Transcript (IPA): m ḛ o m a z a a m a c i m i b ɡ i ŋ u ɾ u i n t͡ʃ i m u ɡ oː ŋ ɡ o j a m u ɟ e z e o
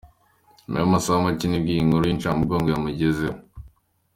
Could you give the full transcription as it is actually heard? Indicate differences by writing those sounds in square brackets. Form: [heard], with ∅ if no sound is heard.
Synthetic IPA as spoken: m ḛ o m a [s] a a m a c i [n] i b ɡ i ŋ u ɾ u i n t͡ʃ [a] m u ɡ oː ŋ ɡ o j a m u ɟ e z e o